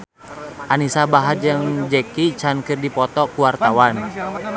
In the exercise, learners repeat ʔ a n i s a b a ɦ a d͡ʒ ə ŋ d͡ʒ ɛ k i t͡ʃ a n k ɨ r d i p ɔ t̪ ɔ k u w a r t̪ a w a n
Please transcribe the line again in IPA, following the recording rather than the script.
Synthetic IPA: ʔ a n i s a b a ɦ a d͡ʒ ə ŋ d͡ʒ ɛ k i t͡ʃ a n k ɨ r d i p ɔ t̪ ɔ k u w a r t̪ a w a n